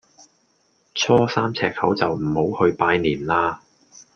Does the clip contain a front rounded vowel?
no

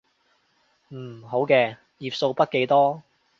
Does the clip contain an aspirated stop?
no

